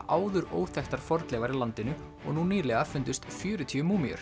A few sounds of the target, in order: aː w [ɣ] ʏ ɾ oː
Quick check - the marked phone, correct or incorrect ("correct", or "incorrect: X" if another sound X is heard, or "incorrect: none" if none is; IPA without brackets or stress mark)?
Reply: incorrect: ð